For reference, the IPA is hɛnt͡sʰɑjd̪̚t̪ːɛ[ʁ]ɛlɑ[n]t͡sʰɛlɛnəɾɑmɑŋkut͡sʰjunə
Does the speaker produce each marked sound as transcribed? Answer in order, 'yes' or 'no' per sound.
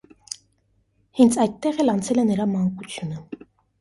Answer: yes, yes

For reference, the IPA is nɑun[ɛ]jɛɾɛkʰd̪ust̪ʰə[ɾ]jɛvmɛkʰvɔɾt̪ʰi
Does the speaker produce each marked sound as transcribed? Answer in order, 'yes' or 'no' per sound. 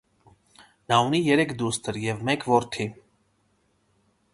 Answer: no, yes

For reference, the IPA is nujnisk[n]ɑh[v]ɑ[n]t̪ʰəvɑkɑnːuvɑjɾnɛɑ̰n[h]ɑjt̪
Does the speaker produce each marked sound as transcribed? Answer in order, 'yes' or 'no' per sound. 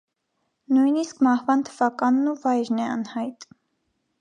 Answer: no, yes, yes, yes

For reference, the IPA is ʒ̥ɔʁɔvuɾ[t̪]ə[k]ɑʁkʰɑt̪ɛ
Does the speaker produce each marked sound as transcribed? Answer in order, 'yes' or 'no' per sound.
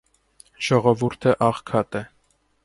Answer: no, no

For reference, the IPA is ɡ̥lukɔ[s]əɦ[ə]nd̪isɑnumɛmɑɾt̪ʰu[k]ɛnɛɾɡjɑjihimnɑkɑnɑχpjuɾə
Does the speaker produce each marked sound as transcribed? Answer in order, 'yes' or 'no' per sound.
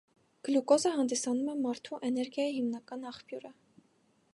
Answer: no, no, no

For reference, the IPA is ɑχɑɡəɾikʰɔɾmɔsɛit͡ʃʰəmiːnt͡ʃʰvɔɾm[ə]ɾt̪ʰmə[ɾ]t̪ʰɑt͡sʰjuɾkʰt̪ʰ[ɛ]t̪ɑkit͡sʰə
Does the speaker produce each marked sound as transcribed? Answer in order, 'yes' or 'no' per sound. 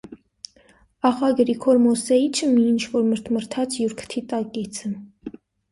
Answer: yes, yes, no

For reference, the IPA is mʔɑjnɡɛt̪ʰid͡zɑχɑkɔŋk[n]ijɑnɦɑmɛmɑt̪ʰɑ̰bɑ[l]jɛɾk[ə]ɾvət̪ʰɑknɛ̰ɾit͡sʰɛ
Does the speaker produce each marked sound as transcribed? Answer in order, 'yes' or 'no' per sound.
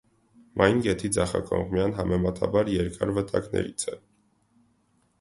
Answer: no, no, no

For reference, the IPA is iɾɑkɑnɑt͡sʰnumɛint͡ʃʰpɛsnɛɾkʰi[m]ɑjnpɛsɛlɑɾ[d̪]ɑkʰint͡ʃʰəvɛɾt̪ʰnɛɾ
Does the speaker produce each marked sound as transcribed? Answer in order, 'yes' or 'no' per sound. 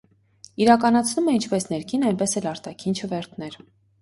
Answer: no, no

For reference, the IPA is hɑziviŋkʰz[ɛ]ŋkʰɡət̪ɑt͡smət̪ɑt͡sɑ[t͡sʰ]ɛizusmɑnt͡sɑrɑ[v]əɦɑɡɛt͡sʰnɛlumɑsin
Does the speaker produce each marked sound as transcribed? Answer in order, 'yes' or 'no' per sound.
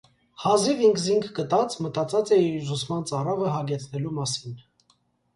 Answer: no, no, yes

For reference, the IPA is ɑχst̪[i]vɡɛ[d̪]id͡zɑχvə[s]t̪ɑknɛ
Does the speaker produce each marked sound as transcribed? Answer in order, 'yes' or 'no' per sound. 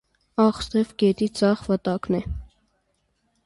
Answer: no, no, no

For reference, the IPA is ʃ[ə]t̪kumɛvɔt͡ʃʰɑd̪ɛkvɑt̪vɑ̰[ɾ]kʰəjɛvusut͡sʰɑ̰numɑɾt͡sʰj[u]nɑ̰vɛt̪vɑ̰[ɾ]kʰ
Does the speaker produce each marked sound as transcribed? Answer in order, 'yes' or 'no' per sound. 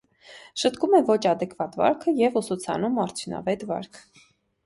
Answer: yes, yes, yes, yes

